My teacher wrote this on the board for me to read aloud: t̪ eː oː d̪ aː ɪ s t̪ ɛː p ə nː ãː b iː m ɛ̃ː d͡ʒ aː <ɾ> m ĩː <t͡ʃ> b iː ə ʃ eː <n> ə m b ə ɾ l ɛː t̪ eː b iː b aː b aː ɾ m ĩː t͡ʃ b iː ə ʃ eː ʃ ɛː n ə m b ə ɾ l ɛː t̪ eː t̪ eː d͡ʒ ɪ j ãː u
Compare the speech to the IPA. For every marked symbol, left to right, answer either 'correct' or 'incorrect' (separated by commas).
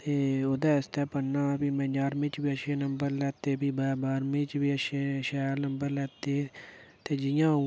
correct, correct, correct